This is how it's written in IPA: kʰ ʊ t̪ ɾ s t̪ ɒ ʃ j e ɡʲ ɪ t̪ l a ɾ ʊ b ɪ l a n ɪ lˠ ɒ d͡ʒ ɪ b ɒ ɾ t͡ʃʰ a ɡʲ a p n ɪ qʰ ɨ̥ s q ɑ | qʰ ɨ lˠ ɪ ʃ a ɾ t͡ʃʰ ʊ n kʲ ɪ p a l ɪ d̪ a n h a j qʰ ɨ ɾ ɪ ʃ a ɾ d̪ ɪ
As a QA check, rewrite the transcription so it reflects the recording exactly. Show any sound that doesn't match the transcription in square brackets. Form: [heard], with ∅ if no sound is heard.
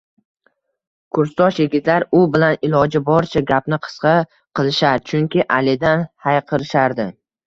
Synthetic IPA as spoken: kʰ ʊ [∅] ɾ s t̪ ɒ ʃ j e ɡʲ ɪ t̪ l a ɾ ʊ b ɪ l a n ɪ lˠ ɒ d͡ʒ ɪ b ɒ ɾ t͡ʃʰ a ɡʲ a p n ɪ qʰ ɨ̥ s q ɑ | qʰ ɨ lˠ ɪ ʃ a ɾ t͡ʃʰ ʊ [ŋ] kʲ ɪ [ʔ] a l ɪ d̪ a n h a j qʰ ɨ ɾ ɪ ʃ a ɾ d̪ ɪ